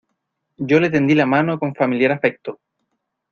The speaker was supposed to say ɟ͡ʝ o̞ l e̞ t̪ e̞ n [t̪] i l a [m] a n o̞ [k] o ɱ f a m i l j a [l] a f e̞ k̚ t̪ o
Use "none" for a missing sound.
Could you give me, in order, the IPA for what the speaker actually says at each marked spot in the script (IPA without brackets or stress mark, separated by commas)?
d̪, m, k, ɾ